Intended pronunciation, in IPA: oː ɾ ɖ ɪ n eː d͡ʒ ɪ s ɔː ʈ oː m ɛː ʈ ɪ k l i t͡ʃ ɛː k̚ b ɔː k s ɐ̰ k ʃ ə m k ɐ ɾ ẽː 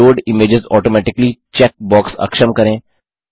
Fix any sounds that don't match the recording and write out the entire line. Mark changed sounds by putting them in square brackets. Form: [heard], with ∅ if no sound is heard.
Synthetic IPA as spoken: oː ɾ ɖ ɪ [m] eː d͡ʒ ɪ [z] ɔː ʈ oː m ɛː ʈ ɪ k l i t͡ʃ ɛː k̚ b ɔː k s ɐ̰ k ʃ ə m k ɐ ɾ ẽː